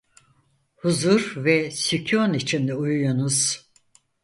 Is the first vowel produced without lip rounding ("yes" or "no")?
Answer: no